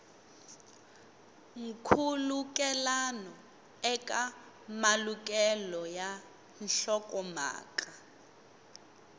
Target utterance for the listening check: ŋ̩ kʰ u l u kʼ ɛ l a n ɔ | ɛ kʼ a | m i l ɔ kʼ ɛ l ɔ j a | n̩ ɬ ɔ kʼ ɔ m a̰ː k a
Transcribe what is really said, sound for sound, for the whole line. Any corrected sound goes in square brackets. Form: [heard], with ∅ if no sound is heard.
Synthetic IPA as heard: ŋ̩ kʰ u l u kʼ ɛ l a n ɔ | ɛ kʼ a | m [a] l [u] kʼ ɛ l ɔ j a | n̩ ɬ ɔ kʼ ɔ m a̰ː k a